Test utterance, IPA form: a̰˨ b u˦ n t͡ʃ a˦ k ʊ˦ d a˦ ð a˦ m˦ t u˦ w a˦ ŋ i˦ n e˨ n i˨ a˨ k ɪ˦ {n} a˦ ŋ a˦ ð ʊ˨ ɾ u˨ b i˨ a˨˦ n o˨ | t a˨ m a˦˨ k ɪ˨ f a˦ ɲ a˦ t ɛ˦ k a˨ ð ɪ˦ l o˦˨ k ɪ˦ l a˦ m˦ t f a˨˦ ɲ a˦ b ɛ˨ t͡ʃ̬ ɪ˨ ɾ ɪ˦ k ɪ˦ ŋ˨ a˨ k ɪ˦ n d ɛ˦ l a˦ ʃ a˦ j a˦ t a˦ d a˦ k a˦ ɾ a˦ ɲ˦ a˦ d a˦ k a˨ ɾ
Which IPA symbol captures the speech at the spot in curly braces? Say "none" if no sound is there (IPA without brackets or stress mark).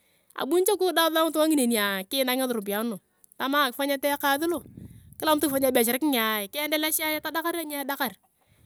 n